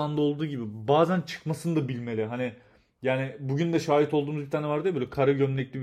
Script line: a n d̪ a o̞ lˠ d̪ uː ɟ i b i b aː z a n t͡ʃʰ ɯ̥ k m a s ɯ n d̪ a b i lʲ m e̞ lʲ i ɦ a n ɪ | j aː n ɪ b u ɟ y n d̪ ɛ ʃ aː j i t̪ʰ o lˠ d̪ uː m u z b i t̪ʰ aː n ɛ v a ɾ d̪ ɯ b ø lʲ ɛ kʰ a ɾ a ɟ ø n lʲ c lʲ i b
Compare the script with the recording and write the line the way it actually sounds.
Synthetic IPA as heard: a n d̪ a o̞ lˠ d̪ uː ɟ i b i b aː z æ n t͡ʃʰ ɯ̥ k m a s ɯ n d̪ a b i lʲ m e̞ lʲ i ɦ a n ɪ | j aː n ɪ b u ɟ y n d̪ ɛ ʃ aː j i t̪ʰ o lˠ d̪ uː m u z b i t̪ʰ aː n ɛ v a ɾ d̪ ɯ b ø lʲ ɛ kʰ a ɾ a ɟ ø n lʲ c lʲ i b